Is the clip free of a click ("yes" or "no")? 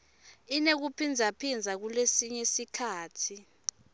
yes